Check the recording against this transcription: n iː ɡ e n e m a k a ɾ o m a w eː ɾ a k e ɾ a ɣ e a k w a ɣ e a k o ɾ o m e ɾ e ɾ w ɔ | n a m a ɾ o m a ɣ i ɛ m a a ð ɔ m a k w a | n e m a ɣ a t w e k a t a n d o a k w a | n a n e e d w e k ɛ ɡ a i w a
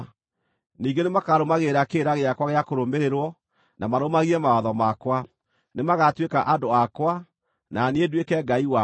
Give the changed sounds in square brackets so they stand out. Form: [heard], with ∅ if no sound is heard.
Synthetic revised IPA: n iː ɡ e n e m a k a ɾ o m a [ɣ] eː ɾ a k e ɾ a ɣ e a k w a ɣ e a k o ɾ o m e ɾ e ɾ w ɔ | n a m a ɾ o m a ɣ i ɛ m a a ð ɔ m a k w a | n e m a ɣ a t w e k a [ʔ] a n d o a k w a | n a n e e d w e k ɛ ɡ a i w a